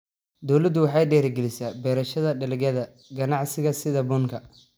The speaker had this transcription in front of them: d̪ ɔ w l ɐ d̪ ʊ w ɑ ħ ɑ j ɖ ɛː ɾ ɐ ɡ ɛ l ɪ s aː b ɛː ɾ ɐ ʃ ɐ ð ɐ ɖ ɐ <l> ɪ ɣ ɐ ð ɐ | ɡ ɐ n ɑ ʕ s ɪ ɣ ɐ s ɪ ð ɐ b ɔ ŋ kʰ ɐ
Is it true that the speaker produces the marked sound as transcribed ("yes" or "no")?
yes